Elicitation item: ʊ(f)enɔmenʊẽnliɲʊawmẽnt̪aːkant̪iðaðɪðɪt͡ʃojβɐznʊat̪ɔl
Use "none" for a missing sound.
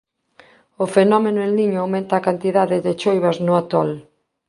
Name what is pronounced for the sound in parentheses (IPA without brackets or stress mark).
f